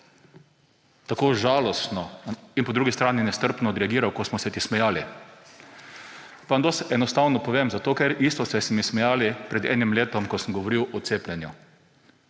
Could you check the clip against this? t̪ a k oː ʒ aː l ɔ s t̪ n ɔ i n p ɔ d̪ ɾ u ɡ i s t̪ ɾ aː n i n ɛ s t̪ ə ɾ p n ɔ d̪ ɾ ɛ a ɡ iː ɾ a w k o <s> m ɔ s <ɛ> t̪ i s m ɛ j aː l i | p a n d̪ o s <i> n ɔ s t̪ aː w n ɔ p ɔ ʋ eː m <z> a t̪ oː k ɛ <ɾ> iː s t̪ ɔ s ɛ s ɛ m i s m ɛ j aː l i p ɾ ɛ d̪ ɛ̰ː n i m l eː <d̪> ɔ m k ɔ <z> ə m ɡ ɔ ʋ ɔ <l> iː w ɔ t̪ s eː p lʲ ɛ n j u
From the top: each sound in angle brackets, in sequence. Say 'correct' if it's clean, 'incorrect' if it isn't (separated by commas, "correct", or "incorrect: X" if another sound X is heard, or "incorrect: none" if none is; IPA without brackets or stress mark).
correct, correct, incorrect: ɛ, correct, correct, incorrect: t̪, incorrect: s, incorrect: ɾ